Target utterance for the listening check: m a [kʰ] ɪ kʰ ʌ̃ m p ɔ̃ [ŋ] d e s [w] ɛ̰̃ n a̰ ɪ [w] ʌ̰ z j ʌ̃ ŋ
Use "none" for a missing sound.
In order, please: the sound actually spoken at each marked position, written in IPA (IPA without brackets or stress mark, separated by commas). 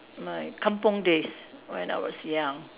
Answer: none, ŋ, w, w